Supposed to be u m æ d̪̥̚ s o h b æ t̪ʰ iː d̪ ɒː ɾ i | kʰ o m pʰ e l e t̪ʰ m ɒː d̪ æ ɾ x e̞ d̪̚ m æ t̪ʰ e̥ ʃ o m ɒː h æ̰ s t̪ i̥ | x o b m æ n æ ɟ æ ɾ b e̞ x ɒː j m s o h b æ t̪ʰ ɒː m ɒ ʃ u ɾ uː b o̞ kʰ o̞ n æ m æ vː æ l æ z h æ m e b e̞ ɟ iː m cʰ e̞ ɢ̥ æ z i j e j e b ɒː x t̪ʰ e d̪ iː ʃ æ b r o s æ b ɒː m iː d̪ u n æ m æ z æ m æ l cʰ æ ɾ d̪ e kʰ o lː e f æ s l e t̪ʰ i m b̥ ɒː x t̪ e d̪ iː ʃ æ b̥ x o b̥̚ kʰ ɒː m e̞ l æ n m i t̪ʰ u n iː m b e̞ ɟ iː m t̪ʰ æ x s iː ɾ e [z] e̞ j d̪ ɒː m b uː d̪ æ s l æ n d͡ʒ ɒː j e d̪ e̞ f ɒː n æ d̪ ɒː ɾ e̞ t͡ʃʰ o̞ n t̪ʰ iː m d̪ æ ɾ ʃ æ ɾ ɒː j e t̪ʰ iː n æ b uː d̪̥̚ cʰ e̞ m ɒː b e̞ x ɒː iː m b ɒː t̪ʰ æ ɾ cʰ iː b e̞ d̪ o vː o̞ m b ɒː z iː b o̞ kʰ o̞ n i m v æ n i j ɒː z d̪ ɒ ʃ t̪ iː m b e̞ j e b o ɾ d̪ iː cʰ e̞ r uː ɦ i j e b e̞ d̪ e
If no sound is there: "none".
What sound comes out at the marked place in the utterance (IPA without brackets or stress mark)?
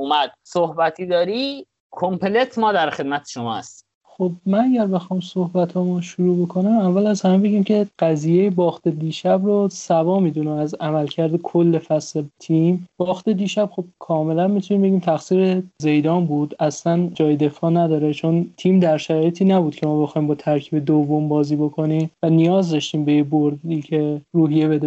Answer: z